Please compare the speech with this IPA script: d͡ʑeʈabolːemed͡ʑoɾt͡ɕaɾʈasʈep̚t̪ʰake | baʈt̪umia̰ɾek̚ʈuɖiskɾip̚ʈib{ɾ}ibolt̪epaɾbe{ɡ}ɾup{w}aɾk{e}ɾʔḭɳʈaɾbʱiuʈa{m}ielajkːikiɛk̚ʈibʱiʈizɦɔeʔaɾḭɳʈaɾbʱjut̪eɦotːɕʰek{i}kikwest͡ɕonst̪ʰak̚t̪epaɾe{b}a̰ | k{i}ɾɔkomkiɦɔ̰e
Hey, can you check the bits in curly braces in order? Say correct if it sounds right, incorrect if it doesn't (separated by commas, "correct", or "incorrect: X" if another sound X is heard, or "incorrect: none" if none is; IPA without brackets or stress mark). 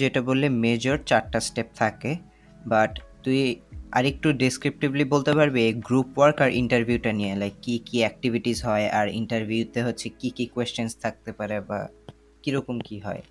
incorrect: l, correct, correct, incorrect: a, incorrect: n, correct, correct, correct